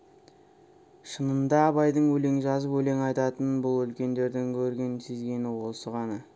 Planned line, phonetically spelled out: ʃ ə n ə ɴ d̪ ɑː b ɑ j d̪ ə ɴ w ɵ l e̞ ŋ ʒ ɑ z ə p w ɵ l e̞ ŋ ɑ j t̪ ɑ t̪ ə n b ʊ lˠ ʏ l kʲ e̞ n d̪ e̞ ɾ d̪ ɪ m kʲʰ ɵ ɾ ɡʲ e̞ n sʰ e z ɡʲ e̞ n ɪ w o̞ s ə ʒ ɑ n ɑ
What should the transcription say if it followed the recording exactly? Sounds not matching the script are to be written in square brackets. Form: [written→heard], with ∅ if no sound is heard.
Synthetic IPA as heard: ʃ ə n ə [ɴ→n] d̪ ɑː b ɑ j d̪ ə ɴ w ɵ l e̞ ŋ ʒ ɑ z ə p w ɵ l e̞ ŋ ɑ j t̪ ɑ t̪ ə n b ʊ lˠ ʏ l kʲ e̞ n d̪ e̞ ɾ d̪ ɪ [m→ŋ] kʲʰ ɵ ɾ ɡʲ e̞ n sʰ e z ɡʲ e̞ n ɪ w o̞ s ə [ʒ→ʁ] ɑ n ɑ